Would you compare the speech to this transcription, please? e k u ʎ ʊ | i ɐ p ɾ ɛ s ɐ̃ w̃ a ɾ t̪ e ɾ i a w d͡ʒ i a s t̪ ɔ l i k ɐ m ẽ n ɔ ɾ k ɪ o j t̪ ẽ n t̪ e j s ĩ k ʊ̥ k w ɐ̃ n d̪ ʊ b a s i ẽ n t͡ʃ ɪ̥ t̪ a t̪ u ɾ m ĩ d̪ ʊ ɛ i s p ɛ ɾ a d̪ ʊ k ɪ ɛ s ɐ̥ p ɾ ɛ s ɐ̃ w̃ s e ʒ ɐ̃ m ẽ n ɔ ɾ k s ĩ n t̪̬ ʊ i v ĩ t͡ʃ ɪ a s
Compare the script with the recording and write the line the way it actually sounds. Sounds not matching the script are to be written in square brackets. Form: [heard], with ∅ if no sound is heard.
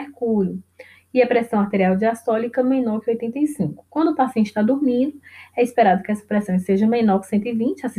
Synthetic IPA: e k u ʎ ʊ | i ɐ p ɾ ɛ s ɐ̃ w̃ a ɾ t̪ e ɾ i a w d͡ʒ i a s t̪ ɔ l i k ɐ m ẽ n ɔ ɾ k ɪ o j t̪ ẽ n t̪ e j s ĩ k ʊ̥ k w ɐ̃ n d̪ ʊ [p] a s i ẽ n t͡ʃ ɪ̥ t̪ a [d̪] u ɾ m ĩ d̪ ʊ ɛ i s p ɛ ɾ a d̪ ʊ k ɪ ɛ s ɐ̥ p ɾ ɛ s ɐ̃ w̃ s e ʒ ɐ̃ m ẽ n ɔ ɾ k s [ẽ] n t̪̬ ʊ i v ĩ t͡ʃ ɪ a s